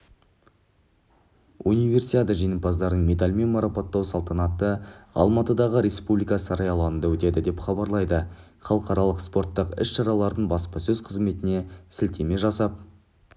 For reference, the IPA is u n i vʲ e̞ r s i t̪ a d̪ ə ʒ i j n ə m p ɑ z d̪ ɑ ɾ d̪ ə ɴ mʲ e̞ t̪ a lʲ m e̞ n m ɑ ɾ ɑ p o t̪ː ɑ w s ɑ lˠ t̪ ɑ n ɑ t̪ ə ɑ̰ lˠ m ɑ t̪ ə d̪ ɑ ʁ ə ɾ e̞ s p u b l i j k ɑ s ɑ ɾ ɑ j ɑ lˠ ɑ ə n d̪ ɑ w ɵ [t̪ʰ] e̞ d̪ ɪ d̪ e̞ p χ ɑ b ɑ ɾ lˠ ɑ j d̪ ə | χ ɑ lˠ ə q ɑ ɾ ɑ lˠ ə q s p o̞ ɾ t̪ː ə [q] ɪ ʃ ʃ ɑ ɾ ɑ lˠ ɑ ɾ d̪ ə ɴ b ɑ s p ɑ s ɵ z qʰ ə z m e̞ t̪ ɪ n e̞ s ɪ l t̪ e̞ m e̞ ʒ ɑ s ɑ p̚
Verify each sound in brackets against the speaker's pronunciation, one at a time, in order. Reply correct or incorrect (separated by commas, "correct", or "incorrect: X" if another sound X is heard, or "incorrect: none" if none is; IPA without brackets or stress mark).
incorrect: t̪, correct